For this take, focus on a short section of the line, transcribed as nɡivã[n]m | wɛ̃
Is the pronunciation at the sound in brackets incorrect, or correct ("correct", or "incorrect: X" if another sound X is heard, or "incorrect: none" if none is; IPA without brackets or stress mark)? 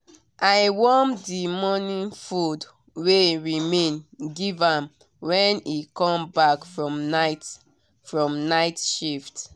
incorrect: none